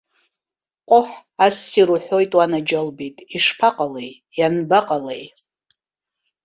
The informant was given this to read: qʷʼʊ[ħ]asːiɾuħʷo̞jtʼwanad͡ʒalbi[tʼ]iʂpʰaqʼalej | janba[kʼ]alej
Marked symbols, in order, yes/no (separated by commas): yes, yes, no